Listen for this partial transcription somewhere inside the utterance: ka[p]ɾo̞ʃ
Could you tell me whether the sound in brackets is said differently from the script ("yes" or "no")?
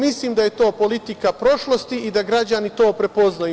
no